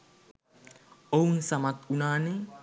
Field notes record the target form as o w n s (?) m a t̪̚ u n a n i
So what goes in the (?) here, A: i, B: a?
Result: B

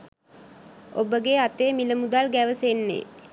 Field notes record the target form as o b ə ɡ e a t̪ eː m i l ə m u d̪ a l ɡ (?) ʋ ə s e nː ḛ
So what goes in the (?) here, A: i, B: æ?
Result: B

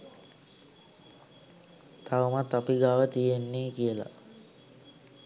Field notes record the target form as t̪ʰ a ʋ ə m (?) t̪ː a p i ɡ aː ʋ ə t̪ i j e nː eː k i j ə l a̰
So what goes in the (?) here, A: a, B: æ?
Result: A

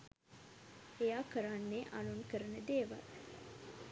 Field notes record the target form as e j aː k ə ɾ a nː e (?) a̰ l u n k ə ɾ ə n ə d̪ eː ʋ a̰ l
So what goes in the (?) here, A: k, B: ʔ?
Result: B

